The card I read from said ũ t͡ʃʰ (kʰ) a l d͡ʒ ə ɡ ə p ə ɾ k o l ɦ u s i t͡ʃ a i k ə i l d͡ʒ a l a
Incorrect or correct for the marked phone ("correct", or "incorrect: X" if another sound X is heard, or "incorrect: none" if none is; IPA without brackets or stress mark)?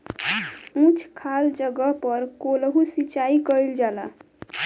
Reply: correct